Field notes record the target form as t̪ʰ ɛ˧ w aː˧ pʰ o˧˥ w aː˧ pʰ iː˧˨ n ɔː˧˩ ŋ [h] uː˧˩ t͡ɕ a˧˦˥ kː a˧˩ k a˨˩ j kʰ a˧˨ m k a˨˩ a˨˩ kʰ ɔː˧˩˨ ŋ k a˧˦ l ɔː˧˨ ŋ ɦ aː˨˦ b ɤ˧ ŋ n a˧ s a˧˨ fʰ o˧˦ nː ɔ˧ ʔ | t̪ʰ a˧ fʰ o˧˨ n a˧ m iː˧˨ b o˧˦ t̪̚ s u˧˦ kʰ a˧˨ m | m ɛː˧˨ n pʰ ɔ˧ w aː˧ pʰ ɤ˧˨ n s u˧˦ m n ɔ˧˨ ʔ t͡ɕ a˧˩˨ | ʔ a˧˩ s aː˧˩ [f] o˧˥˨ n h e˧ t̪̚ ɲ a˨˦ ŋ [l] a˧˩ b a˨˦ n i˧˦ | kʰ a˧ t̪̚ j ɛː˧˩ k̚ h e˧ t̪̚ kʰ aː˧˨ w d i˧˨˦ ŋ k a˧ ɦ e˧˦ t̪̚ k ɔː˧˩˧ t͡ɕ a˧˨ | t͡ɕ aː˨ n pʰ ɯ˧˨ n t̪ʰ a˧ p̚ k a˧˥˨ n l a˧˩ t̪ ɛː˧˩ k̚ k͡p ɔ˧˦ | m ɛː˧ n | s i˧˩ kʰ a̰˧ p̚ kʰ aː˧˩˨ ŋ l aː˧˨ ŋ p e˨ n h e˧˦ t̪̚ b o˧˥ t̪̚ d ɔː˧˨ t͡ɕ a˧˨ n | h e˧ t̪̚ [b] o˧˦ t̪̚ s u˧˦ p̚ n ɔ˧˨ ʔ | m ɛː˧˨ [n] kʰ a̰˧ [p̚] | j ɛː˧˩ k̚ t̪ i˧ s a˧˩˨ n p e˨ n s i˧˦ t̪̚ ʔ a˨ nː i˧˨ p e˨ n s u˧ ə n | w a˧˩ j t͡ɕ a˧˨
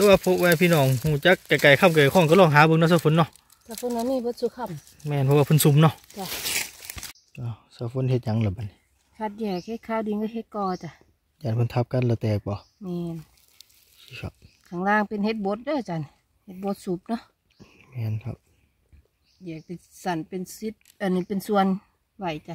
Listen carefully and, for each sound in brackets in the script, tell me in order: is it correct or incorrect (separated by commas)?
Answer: correct, correct, correct, correct, correct, correct